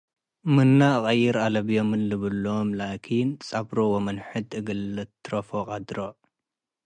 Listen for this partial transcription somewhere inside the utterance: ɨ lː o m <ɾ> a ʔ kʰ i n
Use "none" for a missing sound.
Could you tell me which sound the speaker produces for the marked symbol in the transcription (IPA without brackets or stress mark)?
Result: l